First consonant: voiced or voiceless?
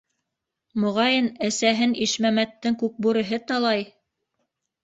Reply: voiced